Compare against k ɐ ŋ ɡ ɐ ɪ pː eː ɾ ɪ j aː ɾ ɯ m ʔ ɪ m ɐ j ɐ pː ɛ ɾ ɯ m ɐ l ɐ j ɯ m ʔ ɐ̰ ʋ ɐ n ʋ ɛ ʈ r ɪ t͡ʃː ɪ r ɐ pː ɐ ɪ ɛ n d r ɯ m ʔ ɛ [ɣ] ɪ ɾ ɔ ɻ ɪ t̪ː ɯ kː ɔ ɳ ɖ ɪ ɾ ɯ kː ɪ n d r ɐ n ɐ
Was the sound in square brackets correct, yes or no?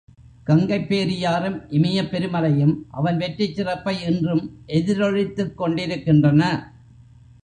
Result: no